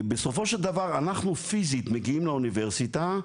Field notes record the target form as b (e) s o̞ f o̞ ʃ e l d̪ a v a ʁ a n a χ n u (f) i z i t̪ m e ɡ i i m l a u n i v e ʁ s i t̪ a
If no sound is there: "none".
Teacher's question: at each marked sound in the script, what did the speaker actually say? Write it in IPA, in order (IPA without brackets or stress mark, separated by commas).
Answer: e, f